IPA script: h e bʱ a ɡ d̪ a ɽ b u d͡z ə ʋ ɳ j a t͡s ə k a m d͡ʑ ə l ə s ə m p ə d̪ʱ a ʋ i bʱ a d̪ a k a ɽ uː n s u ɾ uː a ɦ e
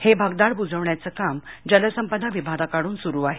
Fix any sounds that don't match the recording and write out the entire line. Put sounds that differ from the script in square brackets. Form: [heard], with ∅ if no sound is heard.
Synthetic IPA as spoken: h e bʱ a ɡ d̪ a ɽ b u d͡z ə ʋ ɳ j a t͡s ə k a m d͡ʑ ə l ə s ə m p ə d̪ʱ a ʋ i bʱ a d̪ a k a ɽ uː n s u ɾ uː a ɦ e